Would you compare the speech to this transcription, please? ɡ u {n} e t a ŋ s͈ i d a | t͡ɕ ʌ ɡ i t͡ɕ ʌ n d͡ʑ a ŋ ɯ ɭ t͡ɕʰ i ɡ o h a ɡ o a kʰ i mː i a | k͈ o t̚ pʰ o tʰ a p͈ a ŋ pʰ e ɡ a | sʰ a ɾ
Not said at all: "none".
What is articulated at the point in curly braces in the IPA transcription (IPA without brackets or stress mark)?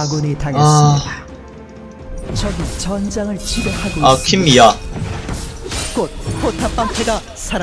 n